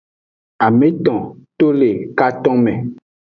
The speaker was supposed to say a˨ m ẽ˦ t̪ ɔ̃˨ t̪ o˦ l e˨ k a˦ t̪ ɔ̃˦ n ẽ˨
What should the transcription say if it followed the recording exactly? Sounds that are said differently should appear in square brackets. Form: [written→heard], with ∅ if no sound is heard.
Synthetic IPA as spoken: a˨ m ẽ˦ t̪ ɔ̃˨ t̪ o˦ l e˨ k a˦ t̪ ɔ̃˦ [n→m] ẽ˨